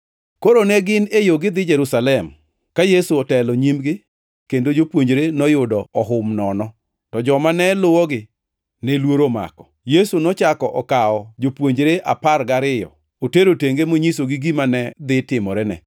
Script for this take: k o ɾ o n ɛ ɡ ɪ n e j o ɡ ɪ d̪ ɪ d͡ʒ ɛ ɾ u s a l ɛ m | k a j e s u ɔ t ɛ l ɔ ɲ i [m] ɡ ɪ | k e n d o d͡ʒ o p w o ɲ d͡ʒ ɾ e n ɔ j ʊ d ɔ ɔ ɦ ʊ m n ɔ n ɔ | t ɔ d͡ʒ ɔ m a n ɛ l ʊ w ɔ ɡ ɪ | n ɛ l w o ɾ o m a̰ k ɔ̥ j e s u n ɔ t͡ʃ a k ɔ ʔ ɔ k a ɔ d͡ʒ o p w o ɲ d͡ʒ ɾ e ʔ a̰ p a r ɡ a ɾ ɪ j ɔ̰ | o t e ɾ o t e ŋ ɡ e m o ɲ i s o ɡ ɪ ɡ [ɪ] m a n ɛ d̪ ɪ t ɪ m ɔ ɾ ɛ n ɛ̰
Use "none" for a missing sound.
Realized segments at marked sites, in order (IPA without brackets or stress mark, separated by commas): m, i